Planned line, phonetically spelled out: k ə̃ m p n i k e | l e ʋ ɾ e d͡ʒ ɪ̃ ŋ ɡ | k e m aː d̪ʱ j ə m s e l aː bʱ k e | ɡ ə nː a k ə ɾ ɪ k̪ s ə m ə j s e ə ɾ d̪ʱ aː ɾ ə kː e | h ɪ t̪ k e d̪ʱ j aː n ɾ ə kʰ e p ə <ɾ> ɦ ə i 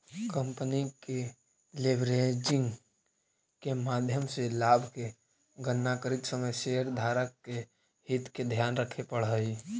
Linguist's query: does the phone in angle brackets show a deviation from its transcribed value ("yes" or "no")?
yes